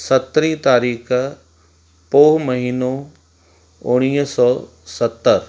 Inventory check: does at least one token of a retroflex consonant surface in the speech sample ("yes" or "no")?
yes